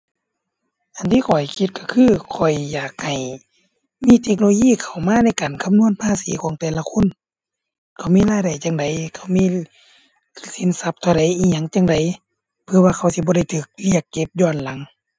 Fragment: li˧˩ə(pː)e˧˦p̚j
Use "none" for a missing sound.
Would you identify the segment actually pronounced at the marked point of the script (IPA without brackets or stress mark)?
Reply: kː